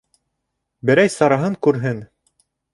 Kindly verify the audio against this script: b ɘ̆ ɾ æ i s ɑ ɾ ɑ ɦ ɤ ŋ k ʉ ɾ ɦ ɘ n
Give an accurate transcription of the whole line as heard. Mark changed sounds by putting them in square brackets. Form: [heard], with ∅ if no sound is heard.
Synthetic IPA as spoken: b ɘ̆ ɾ æ [j] s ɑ ɾ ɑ ɦ ɤ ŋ k ʉ ɾ ɦ ɘ n